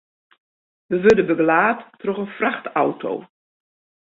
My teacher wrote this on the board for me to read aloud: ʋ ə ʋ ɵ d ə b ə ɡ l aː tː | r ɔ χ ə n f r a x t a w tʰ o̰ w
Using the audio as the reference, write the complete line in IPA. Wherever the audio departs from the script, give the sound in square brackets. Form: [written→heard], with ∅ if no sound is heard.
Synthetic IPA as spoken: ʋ ə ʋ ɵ d ə b ə ɡ l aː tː | r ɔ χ ə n f r a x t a w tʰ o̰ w

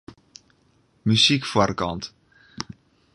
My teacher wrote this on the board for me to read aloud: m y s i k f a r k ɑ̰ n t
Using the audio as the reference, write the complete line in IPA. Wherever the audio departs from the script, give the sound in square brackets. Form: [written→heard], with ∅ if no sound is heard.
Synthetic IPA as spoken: m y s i k f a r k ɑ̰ n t

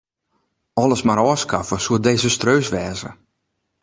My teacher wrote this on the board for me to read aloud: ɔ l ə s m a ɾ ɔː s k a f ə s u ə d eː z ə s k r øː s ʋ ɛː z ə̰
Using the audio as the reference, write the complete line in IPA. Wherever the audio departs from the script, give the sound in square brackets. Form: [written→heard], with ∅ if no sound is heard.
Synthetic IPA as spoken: ɔ l ə s m a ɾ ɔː s k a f ə s u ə d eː z ə s [k→t] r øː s ʋ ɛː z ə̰

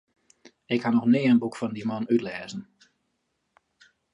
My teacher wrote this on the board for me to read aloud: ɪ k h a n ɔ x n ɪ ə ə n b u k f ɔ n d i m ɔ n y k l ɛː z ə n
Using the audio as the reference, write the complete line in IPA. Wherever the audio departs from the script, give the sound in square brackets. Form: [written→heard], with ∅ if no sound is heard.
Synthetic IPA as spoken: ɪ k h a n ɔ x n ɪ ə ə n b u k f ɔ n d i m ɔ n y [k→t] l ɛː z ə n

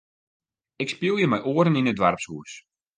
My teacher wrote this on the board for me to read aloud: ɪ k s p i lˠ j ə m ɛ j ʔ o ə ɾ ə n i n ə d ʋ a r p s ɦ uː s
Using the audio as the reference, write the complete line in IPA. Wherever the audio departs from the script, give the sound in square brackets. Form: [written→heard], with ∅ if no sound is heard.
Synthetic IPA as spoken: ɪ k s p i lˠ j ə m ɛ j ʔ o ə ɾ ə n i n ə d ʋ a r p s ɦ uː s

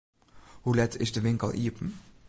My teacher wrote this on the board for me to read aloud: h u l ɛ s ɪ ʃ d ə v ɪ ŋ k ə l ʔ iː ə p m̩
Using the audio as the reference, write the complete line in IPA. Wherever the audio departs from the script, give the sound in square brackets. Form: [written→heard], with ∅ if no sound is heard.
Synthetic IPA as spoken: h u l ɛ [s→t] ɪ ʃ d ə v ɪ ŋ k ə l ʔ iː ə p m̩

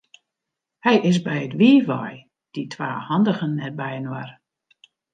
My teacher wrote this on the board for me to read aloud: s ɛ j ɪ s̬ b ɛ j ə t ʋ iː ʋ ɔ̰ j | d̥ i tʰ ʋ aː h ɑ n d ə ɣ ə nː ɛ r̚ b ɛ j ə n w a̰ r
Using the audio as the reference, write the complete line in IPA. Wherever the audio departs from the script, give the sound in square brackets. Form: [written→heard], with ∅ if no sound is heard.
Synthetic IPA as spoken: [s→h] ɛ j ɪ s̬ b ɛ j ə t ʋ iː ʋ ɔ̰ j | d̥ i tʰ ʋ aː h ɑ n d ə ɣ ə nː ɛ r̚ b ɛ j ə n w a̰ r

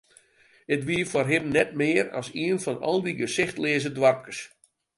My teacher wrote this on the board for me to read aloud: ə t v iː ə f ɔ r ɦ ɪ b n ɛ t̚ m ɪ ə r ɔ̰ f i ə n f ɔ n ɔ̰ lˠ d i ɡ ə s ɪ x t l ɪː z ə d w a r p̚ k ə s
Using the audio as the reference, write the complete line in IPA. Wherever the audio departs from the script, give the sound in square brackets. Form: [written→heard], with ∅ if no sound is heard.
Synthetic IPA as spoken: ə t [v→ʋ] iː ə f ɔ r ɦ ɪ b n ɛ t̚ m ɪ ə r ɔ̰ [f→s] i ə n f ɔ n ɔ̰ lˠ d i ɡ ə s ɪ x t l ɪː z ə d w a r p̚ k ə s

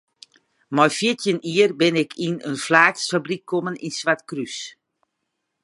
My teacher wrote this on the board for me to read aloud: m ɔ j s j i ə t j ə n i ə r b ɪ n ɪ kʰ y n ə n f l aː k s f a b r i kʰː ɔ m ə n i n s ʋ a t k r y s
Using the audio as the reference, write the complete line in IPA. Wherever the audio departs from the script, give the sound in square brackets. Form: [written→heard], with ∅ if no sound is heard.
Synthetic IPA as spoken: m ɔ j [s→f] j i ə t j ə n i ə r b ɪ n ɪ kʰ [y→i] n ə n f l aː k s f a b r i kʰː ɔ m ə n i n s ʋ a t k r y s

